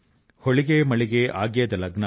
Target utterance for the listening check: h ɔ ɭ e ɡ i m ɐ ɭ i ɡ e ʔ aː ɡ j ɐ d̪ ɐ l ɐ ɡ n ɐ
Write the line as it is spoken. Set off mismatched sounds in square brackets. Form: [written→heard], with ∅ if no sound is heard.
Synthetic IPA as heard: h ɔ ɭ [e→i] ɡ [i→e] m ɐ ɭ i ɡ e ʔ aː ɡ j ɐ d̪ ɐ l ɐ ɡ n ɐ